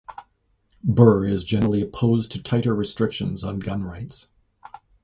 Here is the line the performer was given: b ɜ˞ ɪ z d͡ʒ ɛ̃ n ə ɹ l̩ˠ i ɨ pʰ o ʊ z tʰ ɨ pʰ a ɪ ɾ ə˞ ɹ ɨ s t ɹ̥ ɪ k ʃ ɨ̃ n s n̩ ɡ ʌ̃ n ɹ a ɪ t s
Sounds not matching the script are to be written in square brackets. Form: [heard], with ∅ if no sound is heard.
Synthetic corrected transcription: b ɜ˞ ɪ z d͡ʒ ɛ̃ n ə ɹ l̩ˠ i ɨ pʰ o ʊ z tʰ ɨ [tʰ] a ɪ ɾ ə˞ ɹ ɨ s t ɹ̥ ɪ k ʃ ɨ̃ n [z] n̩ ɡ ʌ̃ n ɹ a ɪ t s